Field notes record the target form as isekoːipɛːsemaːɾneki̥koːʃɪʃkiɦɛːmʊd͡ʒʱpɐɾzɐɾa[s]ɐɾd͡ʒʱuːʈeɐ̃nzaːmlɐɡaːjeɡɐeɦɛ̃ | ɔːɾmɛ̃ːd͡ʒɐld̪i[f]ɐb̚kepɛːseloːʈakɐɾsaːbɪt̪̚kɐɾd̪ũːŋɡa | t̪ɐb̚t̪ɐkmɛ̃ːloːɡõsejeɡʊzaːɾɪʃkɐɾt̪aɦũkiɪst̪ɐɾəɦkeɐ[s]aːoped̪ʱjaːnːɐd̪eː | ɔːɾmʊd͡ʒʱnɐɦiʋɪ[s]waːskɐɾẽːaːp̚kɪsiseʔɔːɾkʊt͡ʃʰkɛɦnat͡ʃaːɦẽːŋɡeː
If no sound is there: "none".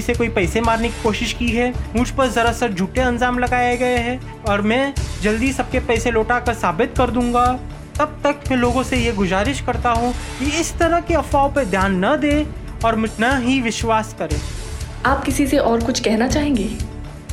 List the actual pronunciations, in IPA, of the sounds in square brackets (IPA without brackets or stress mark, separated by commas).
s, s, f, ʃ